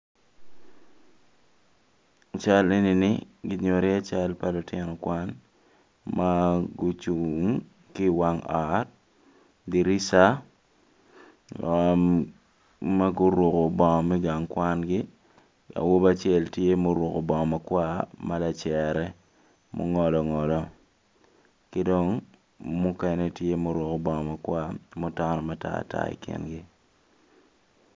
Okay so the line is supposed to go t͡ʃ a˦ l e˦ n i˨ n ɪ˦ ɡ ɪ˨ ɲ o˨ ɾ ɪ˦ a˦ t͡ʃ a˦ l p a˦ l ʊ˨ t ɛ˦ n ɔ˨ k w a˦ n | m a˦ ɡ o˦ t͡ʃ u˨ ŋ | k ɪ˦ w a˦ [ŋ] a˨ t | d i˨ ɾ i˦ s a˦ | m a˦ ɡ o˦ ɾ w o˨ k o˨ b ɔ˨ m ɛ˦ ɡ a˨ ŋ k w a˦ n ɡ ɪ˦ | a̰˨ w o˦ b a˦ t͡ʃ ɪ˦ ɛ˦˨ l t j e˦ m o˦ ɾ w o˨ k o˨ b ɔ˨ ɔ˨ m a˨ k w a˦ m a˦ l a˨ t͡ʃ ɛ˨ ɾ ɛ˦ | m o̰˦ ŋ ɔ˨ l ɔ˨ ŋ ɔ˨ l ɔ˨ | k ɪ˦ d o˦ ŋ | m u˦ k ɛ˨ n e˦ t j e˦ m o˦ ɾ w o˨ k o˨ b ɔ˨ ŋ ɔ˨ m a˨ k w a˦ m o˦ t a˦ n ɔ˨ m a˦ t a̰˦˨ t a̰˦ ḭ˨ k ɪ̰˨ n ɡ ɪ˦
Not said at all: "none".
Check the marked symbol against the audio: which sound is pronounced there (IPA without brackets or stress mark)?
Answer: ŋ